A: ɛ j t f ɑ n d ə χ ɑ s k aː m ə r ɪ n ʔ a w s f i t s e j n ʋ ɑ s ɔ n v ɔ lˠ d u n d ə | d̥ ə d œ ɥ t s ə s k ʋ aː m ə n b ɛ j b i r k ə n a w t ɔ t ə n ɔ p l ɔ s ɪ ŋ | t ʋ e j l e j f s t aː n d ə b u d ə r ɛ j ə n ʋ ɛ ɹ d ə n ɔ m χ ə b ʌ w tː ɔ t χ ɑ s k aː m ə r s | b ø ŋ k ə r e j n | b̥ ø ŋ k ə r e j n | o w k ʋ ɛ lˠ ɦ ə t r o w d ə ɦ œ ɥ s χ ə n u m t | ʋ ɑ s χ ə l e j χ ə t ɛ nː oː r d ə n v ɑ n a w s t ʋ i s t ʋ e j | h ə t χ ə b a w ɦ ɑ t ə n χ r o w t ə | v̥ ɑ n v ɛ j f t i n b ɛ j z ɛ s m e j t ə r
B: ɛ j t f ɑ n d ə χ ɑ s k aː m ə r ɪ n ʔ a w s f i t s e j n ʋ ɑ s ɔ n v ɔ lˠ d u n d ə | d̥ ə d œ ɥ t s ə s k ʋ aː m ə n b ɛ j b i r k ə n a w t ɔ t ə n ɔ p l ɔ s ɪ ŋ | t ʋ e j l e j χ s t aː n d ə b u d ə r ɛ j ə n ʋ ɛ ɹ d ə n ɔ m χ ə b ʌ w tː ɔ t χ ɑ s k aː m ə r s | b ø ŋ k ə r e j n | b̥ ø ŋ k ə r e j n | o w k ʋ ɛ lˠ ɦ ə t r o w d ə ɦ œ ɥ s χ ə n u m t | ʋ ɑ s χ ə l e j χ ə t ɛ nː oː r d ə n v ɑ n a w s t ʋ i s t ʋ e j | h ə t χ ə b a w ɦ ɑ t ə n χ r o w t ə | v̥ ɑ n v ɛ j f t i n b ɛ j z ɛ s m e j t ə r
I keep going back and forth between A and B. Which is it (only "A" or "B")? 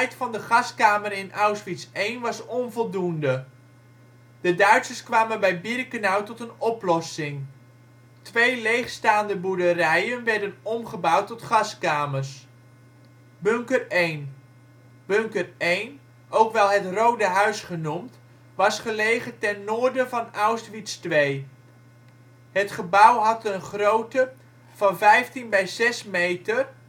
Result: B